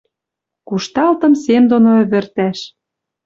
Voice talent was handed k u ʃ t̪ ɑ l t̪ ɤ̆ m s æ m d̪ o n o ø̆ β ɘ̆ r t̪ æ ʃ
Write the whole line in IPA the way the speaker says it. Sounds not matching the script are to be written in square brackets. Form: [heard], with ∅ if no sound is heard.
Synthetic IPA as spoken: k u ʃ t̪ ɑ l t̪ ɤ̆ m s [e] m d̪ o n o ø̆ β ɘ̆ r t̪ æ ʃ